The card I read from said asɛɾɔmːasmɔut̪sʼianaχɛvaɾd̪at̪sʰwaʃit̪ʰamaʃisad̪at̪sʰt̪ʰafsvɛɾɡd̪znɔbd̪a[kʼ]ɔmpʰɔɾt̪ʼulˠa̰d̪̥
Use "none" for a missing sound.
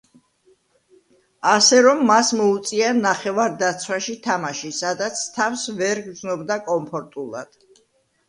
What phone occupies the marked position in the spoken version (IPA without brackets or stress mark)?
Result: kʼ